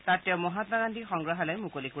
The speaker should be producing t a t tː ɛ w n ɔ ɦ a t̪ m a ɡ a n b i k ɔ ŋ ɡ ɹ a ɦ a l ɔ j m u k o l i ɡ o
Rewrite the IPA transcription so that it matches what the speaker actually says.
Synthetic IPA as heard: t a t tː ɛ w m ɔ ɦ a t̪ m a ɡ a n d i x ɔ ŋ ɡ ɹ a ɦ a l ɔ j m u k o l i k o